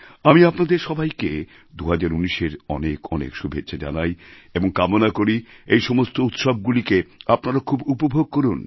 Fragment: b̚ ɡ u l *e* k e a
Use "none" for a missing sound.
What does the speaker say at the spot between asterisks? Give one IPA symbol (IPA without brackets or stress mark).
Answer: i